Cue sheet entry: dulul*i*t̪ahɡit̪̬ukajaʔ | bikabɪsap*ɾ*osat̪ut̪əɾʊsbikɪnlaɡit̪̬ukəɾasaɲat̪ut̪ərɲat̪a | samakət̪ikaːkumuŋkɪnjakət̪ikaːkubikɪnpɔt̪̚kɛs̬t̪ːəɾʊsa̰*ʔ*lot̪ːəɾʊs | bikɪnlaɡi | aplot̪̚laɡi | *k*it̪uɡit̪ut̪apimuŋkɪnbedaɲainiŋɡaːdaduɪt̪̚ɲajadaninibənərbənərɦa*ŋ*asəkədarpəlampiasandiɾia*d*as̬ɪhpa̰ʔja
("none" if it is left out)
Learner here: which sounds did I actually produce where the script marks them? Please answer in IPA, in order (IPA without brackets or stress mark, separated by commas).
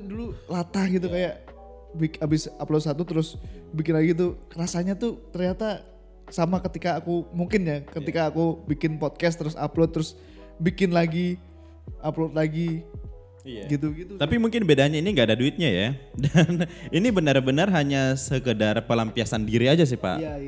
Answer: a, l, p, ɡ, ɲ, d͡ʒ